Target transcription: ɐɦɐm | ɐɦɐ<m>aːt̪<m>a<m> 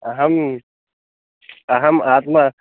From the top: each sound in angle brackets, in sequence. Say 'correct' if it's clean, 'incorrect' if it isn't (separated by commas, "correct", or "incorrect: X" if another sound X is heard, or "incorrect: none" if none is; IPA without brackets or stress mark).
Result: correct, correct, incorrect: none